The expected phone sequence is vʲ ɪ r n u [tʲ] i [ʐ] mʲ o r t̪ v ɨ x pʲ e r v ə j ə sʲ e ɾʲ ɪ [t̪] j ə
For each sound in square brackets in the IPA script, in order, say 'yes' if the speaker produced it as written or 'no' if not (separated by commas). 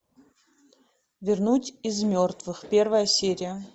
yes, no, no